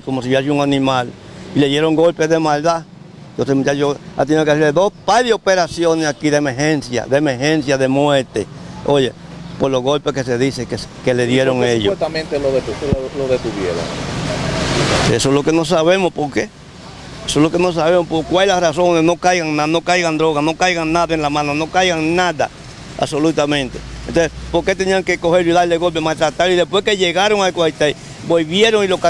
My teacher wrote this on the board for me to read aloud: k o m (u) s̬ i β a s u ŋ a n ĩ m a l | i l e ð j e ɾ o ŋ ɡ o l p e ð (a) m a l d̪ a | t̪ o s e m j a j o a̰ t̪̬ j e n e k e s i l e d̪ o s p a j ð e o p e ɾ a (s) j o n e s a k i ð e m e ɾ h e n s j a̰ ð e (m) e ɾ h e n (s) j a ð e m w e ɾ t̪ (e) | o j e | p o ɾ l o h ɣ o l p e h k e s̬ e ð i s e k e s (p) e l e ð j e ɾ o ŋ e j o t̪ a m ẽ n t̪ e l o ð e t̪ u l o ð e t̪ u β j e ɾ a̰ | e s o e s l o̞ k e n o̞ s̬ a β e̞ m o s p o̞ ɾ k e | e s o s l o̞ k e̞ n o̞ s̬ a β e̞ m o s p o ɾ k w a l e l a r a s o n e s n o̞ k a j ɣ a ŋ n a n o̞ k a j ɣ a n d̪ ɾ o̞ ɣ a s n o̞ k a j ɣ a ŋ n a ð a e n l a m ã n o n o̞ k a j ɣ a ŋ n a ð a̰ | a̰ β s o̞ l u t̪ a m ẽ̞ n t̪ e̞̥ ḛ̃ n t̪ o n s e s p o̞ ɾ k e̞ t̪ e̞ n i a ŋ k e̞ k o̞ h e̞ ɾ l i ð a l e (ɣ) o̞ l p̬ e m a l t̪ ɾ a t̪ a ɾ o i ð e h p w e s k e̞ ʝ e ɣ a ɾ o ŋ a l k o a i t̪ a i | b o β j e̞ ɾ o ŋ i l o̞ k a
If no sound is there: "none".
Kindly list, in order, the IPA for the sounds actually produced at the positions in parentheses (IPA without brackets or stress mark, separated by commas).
o, e, s, m, s, e, k, ɣ